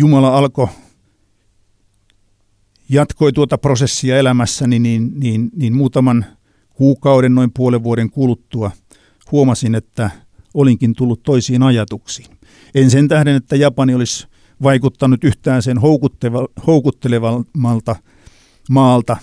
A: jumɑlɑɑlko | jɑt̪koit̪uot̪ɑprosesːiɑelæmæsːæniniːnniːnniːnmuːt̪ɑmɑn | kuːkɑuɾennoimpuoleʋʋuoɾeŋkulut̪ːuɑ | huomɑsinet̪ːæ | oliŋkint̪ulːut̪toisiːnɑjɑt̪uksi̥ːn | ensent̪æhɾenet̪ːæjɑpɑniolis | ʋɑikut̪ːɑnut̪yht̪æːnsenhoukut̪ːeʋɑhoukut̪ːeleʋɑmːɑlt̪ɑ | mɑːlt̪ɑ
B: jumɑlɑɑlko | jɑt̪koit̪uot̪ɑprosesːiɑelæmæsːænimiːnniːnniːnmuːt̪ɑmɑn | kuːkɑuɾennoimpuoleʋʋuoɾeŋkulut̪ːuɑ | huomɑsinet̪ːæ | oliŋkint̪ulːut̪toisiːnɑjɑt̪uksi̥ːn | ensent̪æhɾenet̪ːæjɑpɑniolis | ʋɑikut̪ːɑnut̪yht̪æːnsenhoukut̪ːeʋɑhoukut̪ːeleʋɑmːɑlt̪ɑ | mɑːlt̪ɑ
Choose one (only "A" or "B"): A